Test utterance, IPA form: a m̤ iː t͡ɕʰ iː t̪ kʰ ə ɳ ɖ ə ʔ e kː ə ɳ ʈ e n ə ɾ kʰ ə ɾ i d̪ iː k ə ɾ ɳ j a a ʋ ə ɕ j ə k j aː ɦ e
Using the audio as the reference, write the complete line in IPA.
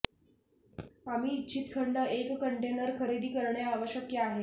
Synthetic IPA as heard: a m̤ iː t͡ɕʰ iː t̪ kʰ ə ɳ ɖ ə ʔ e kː ə ɳ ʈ e n ə ɾ kʰ ə ɾ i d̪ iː k ə ɾ ɳ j a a ʋ ə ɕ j ə k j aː ɦ e